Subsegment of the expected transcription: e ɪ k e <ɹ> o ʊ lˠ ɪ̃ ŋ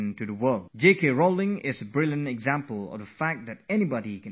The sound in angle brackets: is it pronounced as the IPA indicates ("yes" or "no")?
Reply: yes